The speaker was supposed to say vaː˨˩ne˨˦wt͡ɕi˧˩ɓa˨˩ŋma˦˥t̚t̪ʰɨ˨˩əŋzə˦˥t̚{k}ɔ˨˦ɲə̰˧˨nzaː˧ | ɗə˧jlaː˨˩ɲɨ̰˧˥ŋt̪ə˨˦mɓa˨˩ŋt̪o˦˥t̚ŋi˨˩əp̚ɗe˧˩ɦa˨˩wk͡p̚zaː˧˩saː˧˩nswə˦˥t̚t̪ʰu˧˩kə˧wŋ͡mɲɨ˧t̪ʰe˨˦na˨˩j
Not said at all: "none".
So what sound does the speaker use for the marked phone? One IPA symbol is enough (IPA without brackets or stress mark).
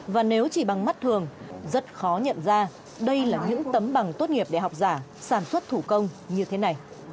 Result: x